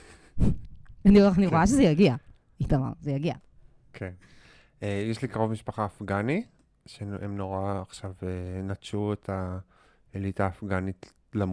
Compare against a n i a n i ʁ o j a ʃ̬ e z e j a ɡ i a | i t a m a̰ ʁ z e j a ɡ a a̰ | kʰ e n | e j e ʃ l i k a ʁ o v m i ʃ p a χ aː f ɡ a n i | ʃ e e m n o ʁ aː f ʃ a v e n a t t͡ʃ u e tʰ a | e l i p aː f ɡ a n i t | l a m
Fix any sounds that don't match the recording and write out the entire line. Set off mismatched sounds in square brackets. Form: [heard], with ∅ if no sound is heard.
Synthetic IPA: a n i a n i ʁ o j a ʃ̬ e z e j a ɡ i a | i t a m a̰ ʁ z e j a ɡ [i] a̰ | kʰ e n | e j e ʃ l i k a ʁ o v m i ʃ p a χ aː f ɡ a n i | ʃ e e m n o ʁ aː [χ] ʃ a v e n a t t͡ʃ u e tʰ a | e l i [t] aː f ɡ a n i t | l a m